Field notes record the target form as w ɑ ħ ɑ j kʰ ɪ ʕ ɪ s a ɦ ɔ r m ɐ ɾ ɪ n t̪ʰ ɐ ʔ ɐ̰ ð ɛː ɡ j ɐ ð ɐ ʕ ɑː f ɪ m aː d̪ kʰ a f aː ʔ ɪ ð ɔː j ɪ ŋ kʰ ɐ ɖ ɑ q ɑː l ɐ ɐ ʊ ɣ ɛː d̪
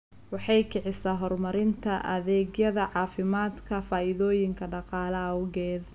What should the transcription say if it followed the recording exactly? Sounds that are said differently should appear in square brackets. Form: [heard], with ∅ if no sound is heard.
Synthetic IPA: w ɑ ħ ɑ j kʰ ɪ ʕ ɪ s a ɦ ɔ r m ɐ ɾ ɪ n t̪ʰ ɐ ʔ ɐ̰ ð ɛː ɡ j ɐ ð ɐ ʕ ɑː f ɪ m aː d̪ kʰ [ɐ] f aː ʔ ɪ ð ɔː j ɪ ŋ kʰ ɐ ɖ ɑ q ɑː l ɐ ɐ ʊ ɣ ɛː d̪